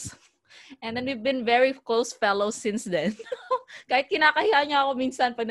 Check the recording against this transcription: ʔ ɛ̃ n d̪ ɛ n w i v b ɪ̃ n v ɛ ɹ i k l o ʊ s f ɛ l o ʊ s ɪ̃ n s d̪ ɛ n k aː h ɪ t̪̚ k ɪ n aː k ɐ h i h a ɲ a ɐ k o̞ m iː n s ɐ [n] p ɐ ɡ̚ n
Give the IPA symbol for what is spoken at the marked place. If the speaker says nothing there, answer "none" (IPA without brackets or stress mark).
n